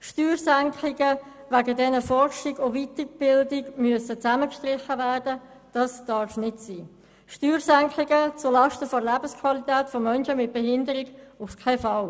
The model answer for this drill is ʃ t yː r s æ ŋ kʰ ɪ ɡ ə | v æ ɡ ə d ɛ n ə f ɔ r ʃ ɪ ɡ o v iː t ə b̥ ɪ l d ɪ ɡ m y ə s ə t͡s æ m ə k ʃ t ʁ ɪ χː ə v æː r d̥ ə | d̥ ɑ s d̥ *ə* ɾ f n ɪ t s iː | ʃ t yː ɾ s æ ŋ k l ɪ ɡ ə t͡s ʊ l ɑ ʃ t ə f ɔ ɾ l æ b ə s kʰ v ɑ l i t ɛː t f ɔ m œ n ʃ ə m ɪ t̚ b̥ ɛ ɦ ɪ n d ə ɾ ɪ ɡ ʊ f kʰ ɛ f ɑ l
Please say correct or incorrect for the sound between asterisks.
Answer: incorrect